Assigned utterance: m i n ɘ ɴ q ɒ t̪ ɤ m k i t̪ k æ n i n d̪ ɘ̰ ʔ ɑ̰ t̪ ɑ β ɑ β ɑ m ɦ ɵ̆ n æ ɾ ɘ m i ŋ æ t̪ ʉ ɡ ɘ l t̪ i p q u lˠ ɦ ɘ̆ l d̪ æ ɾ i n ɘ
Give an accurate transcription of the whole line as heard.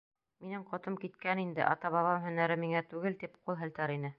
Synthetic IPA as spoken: m i n ɘ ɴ q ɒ t̪ ɤ m k i t̪ k æ n i n d̪ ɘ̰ ʔ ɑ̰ t̪ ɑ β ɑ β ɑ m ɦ ɵ̆ n æ ɾ ɘ m i ŋ æ t̪ ʉ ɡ ɘ l t̪ i p q u lˠ ɦ ɘ̆ l t̪ æ ɾ i n ɘ